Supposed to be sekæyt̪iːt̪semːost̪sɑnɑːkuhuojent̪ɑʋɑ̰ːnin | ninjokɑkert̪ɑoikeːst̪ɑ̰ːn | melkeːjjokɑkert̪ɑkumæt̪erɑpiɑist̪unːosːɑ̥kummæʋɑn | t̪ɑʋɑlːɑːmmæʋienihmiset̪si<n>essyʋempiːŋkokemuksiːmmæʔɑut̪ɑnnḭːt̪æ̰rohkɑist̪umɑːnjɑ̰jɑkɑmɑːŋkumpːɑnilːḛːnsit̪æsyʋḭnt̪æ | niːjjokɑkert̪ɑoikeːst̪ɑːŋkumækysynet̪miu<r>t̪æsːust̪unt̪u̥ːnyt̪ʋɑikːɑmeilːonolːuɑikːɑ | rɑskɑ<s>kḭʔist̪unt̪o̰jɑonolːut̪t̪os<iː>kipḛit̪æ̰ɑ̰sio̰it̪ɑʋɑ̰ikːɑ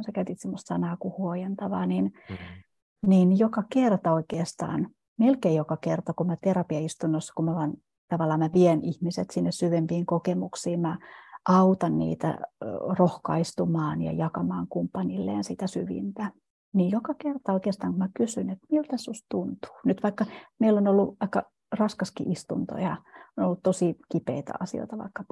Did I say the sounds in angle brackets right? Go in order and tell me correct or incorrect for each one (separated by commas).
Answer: incorrect, incorrect, correct, incorrect